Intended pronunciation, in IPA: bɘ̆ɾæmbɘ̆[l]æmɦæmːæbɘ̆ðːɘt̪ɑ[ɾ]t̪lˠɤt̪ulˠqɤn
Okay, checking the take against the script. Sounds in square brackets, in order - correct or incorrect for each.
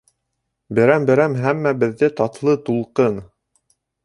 incorrect: ɾ, incorrect: none

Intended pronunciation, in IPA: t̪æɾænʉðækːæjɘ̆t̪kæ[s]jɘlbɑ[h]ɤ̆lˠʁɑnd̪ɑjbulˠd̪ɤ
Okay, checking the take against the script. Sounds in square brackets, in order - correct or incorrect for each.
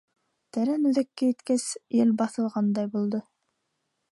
correct, incorrect: θ

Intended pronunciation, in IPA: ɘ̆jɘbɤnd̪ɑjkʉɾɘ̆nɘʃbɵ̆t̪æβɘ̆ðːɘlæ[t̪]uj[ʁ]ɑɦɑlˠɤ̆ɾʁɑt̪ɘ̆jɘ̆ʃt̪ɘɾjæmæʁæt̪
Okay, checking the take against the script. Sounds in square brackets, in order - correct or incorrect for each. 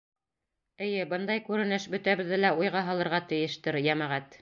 incorrect: none, correct

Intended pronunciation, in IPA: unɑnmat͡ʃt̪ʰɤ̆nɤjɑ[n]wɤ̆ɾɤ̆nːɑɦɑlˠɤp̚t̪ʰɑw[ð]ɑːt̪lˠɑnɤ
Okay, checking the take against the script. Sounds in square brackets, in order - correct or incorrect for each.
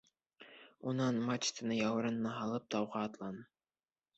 incorrect: none, incorrect: ʁ

